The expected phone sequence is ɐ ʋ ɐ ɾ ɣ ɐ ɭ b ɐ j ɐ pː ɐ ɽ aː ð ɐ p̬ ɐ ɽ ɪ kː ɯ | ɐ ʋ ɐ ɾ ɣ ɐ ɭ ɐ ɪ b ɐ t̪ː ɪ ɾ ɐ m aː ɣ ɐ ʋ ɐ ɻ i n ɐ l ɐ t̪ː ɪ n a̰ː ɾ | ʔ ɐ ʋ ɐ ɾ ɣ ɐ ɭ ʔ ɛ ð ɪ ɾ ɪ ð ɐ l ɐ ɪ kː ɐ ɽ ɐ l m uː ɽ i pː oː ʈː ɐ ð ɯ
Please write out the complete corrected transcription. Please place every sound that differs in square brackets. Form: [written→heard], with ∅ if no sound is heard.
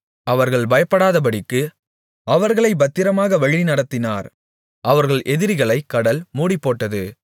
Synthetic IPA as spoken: ɐ ʋ ɐ ɾ ɣ ɐ ɭ b ɐ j ɐ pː ɐ ɽ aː ð ɐ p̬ ɐ ɽ ɪ kː ɯ | ɐ ʋ ɐ ɾ ɣ ɐ ɭ ɐ ɪ b ɐ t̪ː ɪ ɾ ɐ m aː ɣ ɐ ʋ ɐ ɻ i n ɐ [l→ɽ] ɐ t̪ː ɪ n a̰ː ɾ | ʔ ɐ ʋ ɐ ɾ ɣ ɐ ɭ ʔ ɛ ð ɪ ɾ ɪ [ð→ɣ] ɐ [l→ɭ] ɐ ɪ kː ɐ ɽ ɐ l m uː ɽ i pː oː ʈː ɐ ð ɯ